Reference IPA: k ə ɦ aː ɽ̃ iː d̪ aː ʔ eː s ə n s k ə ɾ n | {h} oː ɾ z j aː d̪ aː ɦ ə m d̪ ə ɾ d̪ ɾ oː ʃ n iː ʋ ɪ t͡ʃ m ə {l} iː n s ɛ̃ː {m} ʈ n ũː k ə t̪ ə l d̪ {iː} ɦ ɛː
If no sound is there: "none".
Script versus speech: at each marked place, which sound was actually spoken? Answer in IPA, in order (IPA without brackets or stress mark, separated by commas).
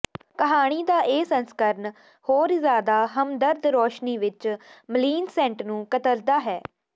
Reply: h, l, ɳ, aː